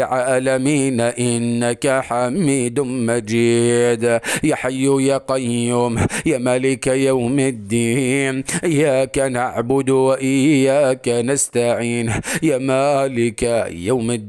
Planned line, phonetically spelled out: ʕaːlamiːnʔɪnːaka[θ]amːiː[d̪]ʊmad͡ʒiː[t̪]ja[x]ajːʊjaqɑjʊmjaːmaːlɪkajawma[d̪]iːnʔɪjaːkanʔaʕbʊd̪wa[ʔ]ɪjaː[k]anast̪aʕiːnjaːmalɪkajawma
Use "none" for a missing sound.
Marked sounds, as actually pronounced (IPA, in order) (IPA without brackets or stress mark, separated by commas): ħ, d̪, d̪, ħ, d̪ː, ʔ, k